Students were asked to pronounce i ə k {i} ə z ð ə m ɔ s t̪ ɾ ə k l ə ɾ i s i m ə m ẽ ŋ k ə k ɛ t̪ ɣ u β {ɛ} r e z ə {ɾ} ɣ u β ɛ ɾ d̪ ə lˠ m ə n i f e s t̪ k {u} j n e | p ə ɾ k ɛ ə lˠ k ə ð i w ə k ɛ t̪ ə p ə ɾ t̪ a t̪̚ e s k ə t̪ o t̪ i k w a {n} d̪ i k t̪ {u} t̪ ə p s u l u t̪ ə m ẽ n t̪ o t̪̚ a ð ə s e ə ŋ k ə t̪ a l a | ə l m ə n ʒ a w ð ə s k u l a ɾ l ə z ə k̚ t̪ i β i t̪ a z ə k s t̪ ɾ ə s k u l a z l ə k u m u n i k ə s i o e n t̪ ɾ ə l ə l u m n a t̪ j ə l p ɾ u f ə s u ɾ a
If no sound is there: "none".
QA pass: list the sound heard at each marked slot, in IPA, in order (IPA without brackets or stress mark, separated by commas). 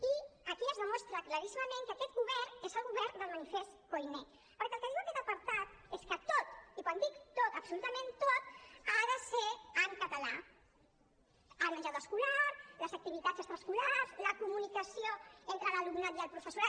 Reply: i, ɛ, l, o, n, o